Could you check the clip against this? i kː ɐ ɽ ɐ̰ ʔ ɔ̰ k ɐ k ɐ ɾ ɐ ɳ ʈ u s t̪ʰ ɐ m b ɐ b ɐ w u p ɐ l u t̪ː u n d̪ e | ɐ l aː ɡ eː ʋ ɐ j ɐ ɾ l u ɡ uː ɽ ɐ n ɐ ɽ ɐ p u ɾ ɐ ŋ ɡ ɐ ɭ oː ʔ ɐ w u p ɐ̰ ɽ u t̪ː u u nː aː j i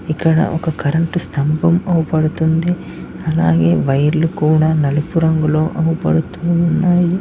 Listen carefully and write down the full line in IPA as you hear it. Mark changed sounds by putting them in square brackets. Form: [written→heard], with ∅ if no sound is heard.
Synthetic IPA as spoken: i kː ɐ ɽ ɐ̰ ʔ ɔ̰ k ɐ k ɐ ɾ ɐ ɳ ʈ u s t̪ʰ ɐ m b ɐ [b→m] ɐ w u p ɐ [l→ɽ] u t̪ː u n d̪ e | ɐ l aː ɡ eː ʋ ɐ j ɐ ɾ l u [ɡ→k] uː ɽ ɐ n ɐ [ɽ→l] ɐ p u ɾ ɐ ŋ ɡ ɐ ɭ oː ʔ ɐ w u p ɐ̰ ɽ u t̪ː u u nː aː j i